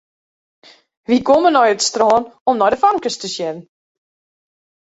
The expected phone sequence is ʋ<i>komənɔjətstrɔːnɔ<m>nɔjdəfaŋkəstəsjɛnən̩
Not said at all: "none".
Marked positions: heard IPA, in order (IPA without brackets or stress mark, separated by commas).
i, m